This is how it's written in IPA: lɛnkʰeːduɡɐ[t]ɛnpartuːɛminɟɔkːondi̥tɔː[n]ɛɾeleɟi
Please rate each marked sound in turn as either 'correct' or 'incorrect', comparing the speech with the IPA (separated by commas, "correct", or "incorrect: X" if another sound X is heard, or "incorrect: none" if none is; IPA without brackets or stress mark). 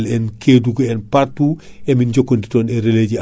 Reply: incorrect: none, correct